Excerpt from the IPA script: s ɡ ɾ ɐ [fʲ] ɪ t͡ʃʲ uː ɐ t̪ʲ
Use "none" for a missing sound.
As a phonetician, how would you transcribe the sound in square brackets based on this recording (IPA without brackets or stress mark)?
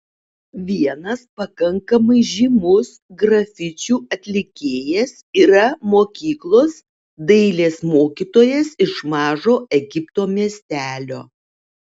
fʲ